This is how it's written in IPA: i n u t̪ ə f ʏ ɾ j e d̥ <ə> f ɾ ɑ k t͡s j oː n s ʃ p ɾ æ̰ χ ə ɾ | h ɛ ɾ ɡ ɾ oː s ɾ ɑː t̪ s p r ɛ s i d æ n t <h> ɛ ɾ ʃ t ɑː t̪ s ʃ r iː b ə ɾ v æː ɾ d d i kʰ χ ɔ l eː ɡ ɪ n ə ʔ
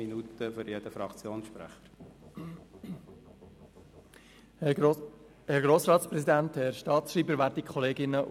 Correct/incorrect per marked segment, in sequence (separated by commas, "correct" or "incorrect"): correct, correct